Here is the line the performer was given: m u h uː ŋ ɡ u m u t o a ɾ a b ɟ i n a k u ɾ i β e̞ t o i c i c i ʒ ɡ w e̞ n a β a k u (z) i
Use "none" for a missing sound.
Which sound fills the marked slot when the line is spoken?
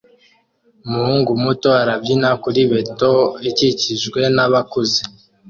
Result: z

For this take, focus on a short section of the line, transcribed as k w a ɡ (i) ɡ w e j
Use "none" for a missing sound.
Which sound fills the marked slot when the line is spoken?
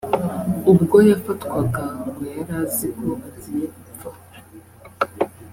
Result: a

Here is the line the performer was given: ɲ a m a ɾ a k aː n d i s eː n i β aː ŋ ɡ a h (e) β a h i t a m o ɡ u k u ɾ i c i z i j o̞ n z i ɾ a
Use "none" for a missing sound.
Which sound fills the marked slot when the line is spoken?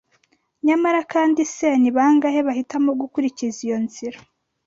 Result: e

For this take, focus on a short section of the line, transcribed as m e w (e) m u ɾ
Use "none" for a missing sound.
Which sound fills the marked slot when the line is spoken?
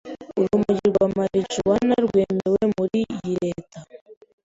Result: e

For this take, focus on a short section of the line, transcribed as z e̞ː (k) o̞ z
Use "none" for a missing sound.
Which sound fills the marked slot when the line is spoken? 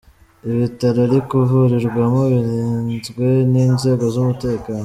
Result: ɡ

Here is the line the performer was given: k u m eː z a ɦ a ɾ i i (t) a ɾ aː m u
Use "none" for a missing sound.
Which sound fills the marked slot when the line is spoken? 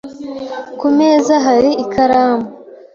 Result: k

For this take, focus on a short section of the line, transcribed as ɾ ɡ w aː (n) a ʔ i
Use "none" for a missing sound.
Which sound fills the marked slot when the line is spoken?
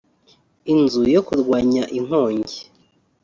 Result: ɲ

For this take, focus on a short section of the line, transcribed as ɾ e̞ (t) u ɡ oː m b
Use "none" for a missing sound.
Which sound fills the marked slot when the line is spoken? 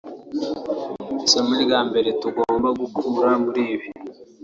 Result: t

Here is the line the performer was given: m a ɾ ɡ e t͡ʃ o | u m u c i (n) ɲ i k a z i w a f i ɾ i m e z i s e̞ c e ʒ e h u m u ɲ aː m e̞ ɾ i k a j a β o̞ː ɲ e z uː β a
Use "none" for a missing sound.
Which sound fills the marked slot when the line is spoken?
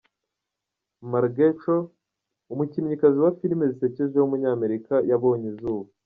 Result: m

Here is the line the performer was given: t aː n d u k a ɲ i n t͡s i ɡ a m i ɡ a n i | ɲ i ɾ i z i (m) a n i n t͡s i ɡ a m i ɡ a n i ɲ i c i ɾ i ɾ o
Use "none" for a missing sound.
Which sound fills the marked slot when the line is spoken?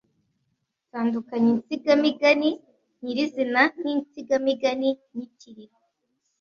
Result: n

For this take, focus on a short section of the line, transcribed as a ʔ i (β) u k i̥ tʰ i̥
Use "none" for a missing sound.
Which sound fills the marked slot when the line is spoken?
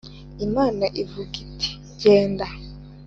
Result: v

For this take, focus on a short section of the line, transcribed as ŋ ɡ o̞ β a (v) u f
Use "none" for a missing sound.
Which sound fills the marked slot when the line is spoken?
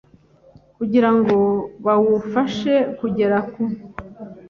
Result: w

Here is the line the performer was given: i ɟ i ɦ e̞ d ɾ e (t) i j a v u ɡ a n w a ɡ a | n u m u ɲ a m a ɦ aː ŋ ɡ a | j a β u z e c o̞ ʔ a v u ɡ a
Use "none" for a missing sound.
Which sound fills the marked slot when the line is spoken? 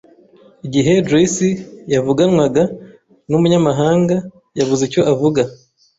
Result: s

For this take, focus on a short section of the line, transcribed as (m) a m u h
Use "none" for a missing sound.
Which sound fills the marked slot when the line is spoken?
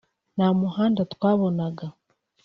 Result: n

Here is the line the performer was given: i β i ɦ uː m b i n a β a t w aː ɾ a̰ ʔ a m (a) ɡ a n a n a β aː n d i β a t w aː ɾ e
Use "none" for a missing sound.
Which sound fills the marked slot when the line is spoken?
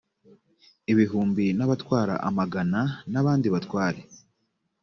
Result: a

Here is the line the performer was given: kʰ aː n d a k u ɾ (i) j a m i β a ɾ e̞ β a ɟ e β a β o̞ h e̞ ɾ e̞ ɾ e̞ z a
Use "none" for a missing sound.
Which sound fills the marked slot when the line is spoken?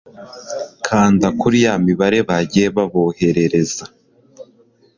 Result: i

